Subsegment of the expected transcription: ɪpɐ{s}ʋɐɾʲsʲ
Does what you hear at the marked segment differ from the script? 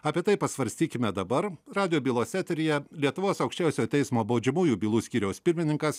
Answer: no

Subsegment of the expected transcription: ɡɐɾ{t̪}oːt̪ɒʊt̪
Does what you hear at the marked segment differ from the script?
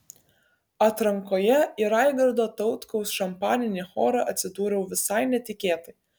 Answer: yes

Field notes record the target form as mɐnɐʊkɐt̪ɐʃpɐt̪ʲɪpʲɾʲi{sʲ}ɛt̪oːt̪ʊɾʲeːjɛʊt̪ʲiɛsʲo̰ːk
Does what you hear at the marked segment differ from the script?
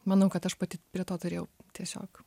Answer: yes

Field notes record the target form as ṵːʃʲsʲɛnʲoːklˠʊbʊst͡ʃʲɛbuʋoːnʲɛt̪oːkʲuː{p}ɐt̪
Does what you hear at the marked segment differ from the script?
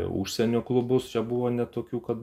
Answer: yes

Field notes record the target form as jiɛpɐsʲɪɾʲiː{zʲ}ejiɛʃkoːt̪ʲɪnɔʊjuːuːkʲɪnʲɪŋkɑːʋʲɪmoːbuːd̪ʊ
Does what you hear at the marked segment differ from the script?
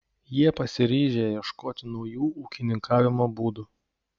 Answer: yes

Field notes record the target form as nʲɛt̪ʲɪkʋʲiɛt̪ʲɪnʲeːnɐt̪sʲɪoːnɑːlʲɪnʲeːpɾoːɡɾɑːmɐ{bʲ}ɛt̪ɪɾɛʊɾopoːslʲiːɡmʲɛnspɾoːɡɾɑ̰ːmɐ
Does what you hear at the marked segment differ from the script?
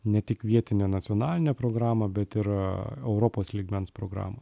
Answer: no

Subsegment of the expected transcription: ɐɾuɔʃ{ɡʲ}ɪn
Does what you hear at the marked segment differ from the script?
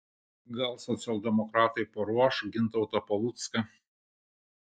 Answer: no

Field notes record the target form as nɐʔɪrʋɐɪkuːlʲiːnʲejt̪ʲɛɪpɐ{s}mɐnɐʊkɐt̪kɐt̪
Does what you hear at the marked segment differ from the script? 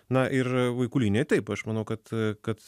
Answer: yes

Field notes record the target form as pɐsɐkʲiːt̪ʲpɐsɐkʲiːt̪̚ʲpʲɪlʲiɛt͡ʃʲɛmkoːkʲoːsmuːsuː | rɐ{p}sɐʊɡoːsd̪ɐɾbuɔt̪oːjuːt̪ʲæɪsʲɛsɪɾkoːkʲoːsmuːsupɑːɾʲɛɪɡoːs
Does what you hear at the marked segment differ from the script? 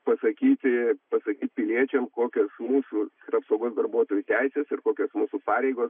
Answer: no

